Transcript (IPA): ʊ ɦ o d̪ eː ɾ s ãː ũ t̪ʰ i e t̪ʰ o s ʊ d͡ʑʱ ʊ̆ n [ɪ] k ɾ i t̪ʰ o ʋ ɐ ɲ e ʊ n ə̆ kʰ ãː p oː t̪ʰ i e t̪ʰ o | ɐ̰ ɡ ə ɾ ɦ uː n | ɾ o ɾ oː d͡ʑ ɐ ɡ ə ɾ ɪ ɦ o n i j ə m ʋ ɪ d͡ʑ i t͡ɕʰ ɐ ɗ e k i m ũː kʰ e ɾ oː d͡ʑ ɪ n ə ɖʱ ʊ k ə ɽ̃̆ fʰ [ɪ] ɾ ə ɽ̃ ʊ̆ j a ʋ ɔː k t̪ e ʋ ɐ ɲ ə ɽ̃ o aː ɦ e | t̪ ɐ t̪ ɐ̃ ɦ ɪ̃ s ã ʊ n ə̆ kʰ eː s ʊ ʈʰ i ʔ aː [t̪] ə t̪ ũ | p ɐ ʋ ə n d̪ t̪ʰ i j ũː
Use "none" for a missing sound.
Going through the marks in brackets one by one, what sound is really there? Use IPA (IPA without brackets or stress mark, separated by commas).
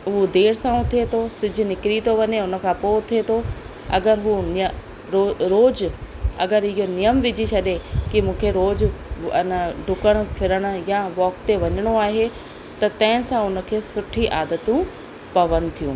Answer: ɪ, ɪ, d̪